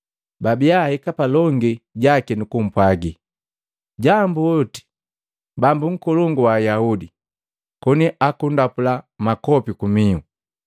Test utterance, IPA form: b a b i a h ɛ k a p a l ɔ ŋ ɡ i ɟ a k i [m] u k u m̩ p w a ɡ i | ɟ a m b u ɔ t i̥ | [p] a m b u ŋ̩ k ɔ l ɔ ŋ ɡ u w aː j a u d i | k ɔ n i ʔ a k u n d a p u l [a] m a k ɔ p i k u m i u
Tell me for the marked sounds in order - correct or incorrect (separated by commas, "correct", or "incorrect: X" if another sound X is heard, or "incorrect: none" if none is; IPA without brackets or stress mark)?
incorrect: n, incorrect: b, correct